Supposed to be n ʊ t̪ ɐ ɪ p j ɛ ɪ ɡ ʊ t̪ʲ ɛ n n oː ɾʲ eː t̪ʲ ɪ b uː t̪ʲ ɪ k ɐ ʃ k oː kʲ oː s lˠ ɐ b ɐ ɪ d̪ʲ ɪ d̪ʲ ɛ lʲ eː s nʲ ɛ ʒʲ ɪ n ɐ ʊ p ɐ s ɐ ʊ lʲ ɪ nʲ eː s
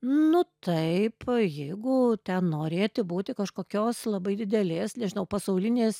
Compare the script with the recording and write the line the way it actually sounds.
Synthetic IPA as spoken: n ʊ t̪ ɐ ɪ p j ɛ ɪ ɡ ʊ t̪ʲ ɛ n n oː ɾʲ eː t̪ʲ ɪ b uː t̪ʲ ɪ k ɐ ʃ k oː kʲ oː s lˠ ɐ b ɐ ɪ d̪ʲ ɪ d̪ʲ ɛ lʲ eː s nʲ ɛ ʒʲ ɪ n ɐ ʊ p ɐ s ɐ ʊ lʲ ɪ nʲ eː s